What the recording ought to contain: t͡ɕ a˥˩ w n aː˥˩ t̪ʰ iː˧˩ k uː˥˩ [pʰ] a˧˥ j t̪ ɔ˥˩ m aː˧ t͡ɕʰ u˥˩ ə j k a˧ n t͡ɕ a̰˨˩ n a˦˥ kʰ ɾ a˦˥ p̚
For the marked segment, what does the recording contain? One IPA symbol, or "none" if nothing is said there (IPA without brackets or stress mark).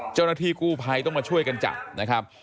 pʰ